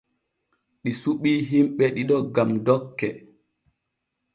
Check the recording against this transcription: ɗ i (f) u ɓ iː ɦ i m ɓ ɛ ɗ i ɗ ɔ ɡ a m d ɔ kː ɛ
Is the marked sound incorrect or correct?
incorrect: s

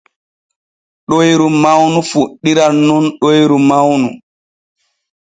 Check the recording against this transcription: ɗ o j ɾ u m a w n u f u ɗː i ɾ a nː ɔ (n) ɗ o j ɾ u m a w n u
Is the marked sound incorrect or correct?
correct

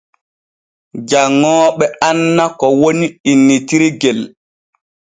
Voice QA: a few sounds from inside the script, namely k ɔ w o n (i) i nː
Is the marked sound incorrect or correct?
correct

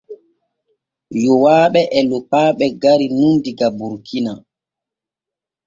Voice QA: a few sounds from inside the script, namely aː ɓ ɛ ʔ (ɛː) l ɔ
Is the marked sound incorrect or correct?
incorrect: ɛ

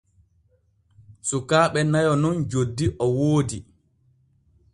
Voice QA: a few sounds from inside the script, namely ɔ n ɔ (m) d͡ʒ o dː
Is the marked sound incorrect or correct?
incorrect: n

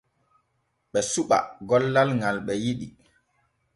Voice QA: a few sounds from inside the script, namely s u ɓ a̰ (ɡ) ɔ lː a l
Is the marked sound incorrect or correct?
correct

